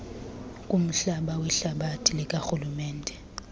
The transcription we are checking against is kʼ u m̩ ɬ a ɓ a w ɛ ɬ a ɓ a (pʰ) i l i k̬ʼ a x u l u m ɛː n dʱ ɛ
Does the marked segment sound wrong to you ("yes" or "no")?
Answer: yes